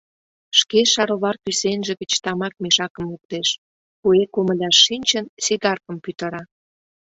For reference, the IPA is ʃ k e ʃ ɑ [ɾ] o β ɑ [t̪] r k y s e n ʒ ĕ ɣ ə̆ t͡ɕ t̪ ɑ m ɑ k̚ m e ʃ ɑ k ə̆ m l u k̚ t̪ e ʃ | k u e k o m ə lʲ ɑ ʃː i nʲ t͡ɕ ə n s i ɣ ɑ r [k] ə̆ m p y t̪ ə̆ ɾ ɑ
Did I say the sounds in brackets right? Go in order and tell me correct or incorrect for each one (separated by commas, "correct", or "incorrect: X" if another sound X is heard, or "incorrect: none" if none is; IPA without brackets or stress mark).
correct, incorrect: none, correct